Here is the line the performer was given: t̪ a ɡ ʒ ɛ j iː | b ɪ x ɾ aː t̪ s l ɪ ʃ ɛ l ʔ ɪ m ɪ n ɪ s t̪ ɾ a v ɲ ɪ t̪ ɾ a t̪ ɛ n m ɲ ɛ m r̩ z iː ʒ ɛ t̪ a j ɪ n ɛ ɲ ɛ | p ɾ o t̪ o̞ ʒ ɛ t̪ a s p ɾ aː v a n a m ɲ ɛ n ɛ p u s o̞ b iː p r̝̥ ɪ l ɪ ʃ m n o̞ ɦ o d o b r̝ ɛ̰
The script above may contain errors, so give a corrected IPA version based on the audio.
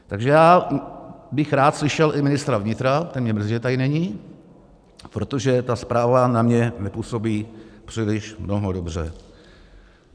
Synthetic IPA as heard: t̪ a ɡ ʒ ɛ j aː | b ɪ x ɾ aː t̪ s l ɪ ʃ ɛ l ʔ ɪ m ɪ n ɪ s t̪ ɾ a v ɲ ɪ t̪ ɾ a t̪ ɛ n m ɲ ɛ m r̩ z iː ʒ ɛ t̪ a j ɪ n ɛ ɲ i | p ɾ o t̪ o̞ ʒ ɛ t̪ a s p ɾ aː v a n a m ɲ ɛ n ɛ p u s o̞ b iː p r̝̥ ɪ l ɪ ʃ m n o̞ ɦ o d o b r̝ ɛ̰